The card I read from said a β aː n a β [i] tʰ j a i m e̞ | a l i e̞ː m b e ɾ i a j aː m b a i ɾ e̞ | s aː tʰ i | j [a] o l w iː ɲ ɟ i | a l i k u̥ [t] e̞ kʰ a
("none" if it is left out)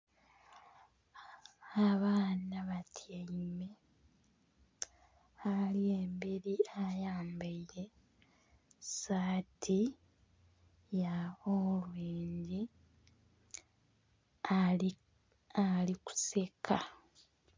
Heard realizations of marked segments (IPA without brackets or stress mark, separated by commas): a, a, s